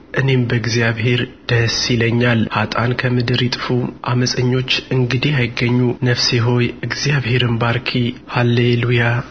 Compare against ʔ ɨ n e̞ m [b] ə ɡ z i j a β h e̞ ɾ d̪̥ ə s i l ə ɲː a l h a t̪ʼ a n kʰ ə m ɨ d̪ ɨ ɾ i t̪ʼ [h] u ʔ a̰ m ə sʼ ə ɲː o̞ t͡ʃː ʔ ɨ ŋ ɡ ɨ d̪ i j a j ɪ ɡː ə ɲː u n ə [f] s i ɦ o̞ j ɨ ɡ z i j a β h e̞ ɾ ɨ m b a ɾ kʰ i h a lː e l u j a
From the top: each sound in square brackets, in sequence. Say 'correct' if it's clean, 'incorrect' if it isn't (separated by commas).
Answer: correct, incorrect, correct